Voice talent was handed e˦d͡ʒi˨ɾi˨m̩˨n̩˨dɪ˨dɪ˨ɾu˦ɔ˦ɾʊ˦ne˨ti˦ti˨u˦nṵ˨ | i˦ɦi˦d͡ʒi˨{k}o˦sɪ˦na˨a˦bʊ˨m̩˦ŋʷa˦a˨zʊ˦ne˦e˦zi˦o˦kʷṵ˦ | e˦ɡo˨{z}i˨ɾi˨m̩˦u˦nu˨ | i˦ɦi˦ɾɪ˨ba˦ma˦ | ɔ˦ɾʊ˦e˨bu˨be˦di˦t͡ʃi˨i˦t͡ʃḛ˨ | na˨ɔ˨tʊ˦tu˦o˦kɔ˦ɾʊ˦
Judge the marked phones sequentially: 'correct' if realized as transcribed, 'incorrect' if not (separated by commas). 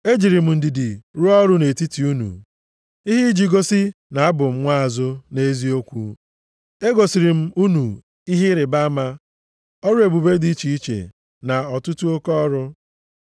incorrect, incorrect